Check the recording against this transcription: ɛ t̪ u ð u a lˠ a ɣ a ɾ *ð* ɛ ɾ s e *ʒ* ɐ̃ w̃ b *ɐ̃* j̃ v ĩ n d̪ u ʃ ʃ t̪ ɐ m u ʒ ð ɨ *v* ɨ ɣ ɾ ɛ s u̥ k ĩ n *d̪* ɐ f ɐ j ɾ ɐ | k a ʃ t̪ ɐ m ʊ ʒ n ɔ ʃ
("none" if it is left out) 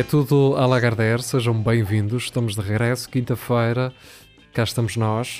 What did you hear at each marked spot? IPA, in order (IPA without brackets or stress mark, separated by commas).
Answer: ð, ʒ, ɐ̃, ʁ, t̪